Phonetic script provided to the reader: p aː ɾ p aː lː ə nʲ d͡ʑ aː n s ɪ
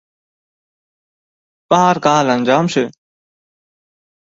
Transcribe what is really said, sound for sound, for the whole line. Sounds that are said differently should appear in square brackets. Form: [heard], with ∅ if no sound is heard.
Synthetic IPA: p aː ɾ [k] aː [l] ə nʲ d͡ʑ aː [m] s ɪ

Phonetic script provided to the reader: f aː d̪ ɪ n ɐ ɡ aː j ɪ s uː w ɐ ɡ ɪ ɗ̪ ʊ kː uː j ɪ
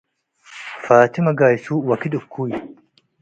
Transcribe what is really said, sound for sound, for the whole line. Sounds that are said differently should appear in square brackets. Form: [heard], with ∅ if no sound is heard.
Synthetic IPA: f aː [t̪] ɪ [m] ɐ ɡ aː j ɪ s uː w ɐ [k] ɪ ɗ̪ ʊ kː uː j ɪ

